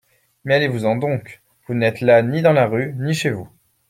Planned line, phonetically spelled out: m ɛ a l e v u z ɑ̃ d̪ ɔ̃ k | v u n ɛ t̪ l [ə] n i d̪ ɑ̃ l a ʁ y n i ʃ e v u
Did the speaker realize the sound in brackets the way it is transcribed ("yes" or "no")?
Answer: no